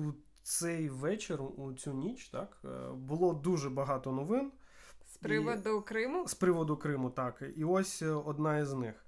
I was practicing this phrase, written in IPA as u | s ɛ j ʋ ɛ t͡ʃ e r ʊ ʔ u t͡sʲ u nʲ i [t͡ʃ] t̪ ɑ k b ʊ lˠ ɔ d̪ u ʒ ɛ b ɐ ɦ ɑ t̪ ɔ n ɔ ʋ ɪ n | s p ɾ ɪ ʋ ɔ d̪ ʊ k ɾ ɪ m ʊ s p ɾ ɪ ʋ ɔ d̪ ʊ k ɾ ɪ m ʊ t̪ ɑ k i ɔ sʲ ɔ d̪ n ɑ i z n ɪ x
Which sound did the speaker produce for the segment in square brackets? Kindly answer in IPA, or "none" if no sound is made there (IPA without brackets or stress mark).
t͡ʃ